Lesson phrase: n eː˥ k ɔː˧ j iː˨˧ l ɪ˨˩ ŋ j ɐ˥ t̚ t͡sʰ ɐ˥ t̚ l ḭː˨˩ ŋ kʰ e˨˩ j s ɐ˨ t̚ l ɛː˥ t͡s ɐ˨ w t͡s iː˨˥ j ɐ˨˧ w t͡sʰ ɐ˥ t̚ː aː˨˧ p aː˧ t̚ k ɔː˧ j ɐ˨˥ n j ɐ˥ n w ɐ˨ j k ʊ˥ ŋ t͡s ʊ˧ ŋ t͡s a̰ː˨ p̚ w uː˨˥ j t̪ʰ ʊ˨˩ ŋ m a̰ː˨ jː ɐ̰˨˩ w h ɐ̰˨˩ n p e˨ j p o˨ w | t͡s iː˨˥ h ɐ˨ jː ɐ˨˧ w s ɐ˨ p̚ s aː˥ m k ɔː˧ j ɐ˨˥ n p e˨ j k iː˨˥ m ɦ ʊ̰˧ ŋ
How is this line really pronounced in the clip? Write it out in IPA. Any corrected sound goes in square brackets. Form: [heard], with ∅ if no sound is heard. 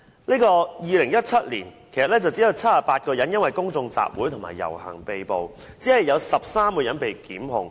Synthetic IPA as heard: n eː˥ k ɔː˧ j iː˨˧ l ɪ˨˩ ŋ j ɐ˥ t̚ t͡sʰ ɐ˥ t̚ l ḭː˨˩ [n] kʰ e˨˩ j s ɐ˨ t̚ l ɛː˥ t͡s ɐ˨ w t͡s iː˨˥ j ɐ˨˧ w t͡sʰ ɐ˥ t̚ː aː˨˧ p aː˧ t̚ k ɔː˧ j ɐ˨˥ n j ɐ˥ n w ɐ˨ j k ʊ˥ ŋ t͡s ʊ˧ ŋ t͡s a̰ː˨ p̚ w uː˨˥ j t̪ʰ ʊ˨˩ ŋ m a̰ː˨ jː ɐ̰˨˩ w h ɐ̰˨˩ [ŋ] p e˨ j p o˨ w | t͡s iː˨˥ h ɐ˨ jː ɐ˨˧ w s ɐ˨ p̚ s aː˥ m k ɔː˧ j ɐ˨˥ n p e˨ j k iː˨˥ m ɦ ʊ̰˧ ŋ